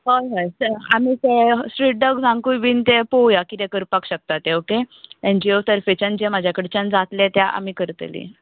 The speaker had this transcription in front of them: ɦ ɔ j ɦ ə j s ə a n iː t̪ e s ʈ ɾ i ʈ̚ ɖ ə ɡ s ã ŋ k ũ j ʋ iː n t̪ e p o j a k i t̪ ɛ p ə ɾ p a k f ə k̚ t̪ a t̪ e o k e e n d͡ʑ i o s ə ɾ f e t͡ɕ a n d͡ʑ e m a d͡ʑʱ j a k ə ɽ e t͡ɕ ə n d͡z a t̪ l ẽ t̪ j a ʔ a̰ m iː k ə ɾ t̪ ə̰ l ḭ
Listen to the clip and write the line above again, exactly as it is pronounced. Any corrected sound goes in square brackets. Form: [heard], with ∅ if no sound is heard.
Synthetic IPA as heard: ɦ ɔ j ɦ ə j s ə a [m] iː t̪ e s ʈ ɾ i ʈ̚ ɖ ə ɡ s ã ŋ k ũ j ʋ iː n t̪ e p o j a k i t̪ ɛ [k] ə ɾ p a k [ɕ] ə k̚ t̪ a t̪ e o k e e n d͡ʑ i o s ə ɾ f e t͡ɕ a n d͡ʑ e m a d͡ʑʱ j a k ə ɽ e t͡ɕ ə n d͡z a t̪ l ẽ t̪ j a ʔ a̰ m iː k ə ɾ t̪ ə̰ l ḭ